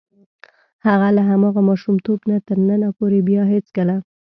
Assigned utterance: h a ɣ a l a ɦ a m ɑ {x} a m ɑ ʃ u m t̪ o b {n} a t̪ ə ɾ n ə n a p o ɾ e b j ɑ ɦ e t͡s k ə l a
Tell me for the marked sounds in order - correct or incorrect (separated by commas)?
incorrect, correct